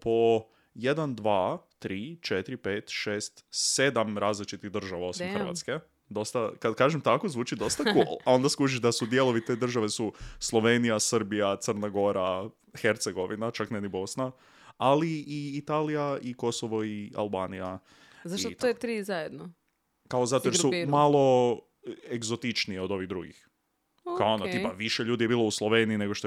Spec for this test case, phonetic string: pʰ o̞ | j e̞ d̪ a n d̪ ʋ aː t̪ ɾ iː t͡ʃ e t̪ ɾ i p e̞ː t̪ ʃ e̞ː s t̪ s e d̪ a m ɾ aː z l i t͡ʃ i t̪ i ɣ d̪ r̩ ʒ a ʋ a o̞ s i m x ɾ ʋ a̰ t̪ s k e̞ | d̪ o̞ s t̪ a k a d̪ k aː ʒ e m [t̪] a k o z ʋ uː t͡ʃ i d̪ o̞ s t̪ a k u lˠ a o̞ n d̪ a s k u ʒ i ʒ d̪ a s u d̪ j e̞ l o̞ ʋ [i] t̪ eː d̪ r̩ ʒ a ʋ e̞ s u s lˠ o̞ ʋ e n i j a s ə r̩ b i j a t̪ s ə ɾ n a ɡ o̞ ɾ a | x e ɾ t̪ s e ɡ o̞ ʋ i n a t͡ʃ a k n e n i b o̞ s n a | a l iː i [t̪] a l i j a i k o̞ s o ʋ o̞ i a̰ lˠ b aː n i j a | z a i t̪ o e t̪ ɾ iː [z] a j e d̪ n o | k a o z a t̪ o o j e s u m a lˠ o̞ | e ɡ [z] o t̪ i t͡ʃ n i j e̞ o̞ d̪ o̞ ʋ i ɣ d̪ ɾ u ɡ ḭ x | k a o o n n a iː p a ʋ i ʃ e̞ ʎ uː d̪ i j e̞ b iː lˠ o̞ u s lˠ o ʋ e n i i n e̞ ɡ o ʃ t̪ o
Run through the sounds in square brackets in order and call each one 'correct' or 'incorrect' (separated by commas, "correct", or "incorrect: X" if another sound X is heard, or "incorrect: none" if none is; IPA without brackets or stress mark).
correct, correct, correct, correct, correct